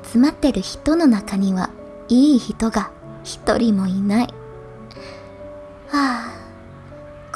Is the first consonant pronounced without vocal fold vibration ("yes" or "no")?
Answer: yes